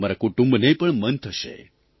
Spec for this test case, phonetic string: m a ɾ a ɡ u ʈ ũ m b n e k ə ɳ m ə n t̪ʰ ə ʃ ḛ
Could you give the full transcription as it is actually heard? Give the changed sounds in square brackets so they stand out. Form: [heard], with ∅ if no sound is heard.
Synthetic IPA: m a ɾ a [k] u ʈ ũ m b n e [p] ə ɳ m ə n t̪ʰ ə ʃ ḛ